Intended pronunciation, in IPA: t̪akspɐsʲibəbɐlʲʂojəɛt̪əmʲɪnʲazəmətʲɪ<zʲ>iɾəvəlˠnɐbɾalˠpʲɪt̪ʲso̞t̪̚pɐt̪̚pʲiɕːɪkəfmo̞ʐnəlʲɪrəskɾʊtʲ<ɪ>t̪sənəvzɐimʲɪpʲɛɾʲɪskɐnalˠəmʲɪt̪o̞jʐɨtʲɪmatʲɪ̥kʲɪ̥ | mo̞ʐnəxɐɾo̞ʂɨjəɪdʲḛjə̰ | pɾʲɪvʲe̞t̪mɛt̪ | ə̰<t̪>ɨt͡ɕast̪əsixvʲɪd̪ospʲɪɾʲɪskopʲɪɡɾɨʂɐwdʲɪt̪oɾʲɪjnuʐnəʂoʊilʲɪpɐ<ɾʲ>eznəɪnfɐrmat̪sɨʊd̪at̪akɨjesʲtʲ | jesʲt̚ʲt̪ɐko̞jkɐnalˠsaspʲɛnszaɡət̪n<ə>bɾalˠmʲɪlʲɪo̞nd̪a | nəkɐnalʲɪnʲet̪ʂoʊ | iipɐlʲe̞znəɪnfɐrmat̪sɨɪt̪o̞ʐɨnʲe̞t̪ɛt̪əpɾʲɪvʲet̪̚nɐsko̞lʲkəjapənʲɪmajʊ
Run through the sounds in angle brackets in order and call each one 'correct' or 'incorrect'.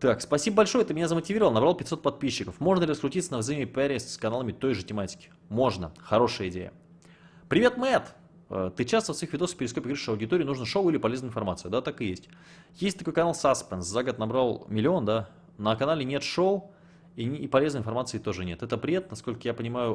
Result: incorrect, incorrect, correct, incorrect, incorrect

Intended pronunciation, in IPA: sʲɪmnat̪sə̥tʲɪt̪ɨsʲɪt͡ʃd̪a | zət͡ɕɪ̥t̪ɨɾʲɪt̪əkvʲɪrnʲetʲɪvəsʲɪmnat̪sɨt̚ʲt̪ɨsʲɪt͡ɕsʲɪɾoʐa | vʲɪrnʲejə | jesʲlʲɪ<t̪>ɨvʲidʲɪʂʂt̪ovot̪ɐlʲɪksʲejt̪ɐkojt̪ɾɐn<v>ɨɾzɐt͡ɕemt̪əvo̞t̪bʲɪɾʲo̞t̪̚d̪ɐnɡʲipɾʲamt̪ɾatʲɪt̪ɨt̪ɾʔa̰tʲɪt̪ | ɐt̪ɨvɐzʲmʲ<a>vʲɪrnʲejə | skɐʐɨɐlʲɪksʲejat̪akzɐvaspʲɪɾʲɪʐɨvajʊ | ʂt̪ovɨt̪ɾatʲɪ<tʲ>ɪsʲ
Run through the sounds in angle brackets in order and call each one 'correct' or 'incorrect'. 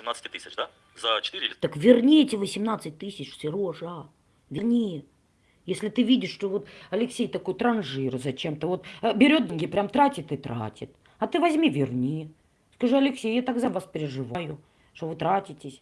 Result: correct, incorrect, incorrect, correct

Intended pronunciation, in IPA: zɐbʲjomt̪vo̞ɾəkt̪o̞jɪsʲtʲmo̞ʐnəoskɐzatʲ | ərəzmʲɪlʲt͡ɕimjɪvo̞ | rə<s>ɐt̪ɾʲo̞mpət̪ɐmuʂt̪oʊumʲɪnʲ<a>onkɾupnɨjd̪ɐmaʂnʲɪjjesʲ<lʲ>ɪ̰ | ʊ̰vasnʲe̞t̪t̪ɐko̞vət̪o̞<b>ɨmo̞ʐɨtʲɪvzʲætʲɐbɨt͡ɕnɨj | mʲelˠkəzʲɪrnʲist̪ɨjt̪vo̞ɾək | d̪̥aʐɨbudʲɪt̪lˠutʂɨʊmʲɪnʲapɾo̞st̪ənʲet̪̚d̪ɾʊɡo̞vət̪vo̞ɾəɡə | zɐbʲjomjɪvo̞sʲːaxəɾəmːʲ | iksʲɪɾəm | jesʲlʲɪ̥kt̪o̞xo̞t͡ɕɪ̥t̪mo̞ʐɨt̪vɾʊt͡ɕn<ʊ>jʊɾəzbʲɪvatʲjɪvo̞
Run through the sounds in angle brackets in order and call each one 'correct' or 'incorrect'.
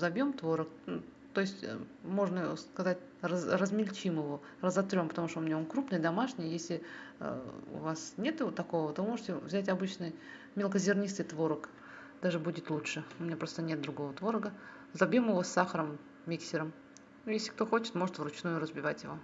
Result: incorrect, correct, correct, incorrect, incorrect

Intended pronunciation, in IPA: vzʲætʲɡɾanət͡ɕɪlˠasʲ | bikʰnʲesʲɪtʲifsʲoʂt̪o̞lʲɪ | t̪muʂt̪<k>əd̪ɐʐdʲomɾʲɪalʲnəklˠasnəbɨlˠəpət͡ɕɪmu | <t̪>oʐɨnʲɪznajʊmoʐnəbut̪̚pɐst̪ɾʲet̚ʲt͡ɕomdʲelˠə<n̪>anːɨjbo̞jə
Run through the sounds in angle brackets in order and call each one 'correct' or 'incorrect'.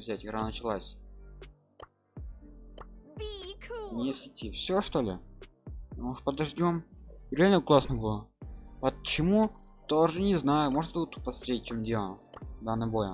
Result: incorrect, correct, incorrect

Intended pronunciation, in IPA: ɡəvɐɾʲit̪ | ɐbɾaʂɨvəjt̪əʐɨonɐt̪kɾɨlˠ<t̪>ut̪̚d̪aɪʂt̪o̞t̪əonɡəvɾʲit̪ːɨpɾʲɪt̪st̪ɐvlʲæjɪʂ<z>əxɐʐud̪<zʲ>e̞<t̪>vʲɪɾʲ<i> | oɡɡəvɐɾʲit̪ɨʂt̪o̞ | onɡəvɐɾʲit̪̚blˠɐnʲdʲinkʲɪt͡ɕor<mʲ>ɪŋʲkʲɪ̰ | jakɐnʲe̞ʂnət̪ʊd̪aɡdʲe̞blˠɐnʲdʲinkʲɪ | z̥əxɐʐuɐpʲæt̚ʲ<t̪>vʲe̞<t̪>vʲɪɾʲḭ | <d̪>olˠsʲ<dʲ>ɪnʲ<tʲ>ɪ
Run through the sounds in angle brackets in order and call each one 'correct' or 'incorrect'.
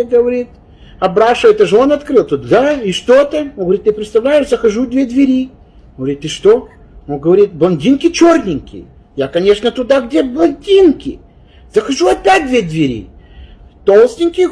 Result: correct, correct, incorrect, incorrect, correct, incorrect, incorrect, incorrect, incorrect, incorrect, incorrect

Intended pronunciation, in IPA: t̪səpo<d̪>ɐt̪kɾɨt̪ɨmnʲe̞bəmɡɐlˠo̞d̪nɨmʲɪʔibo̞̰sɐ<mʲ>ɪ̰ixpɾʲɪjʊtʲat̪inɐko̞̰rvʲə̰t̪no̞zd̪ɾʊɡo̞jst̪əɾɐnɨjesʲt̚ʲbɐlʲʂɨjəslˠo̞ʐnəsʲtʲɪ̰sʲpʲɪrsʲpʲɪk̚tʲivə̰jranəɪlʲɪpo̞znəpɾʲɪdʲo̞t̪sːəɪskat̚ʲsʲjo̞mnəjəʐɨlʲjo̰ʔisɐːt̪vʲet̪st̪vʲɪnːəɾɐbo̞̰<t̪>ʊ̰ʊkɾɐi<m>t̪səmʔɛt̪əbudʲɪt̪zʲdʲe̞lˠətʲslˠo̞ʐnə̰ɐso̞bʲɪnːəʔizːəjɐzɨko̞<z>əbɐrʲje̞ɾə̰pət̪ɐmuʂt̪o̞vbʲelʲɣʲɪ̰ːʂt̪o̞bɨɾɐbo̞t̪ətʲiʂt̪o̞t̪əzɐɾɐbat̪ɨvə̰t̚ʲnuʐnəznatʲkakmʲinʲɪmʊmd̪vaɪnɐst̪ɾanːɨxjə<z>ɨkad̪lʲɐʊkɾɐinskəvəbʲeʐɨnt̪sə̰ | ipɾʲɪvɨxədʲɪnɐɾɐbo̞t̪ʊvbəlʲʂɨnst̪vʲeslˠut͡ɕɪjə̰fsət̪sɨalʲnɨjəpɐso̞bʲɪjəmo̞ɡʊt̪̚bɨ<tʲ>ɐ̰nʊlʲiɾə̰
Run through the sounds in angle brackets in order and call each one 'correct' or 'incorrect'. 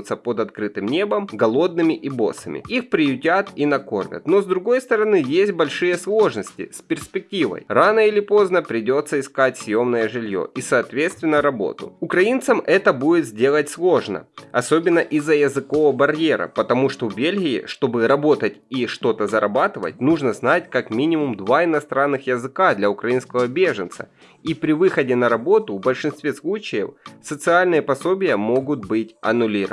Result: correct, correct, correct, incorrect, incorrect, correct, correct

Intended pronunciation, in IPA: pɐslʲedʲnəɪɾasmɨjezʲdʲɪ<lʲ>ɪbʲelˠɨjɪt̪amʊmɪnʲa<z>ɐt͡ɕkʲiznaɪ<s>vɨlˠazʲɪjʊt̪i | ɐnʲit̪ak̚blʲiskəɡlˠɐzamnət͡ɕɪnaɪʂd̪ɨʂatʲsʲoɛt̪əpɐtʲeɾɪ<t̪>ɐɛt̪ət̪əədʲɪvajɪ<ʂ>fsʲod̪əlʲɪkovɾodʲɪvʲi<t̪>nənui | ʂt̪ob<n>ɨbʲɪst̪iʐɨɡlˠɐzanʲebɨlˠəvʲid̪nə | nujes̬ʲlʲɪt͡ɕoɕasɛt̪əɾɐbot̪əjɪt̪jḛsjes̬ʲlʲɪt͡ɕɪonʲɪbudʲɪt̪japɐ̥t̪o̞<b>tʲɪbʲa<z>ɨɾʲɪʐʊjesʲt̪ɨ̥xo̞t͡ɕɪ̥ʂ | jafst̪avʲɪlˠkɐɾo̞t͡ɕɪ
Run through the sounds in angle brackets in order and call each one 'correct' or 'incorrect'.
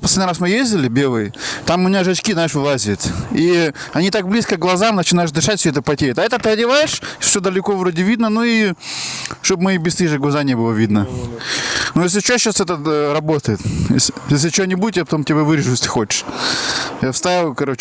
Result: correct, incorrect, incorrect, correct, correct, incorrect, incorrect, incorrect, incorrect

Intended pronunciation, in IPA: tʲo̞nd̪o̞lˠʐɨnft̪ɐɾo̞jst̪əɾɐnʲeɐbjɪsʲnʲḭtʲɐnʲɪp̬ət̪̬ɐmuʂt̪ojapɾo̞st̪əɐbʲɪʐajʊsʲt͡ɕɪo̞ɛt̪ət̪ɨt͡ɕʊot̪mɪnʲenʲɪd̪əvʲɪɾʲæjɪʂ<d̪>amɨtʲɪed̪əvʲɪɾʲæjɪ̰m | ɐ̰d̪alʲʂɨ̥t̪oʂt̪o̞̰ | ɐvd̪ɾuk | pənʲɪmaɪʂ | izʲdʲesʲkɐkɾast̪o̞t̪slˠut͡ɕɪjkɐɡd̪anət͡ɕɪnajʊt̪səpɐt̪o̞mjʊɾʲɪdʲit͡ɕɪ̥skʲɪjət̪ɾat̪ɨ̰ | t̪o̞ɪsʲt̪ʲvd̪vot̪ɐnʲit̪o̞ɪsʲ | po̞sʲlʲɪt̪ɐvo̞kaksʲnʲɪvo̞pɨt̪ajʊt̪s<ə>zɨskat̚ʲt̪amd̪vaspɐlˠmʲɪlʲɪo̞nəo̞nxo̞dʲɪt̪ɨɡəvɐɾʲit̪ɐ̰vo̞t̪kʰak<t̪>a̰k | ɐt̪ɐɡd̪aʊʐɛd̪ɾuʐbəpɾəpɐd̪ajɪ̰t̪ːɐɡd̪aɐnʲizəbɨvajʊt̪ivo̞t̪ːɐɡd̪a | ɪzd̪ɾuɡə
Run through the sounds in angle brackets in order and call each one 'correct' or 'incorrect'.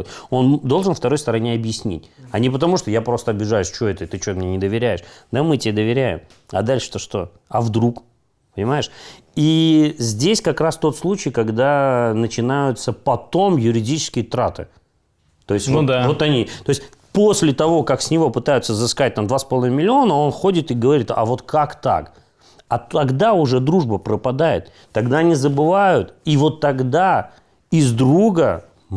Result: correct, correct, correct

